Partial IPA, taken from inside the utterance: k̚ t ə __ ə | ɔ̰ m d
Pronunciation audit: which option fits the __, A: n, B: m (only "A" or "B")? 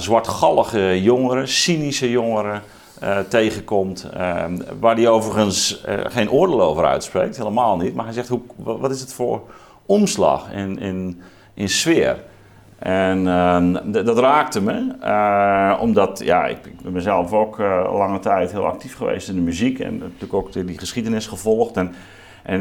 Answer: B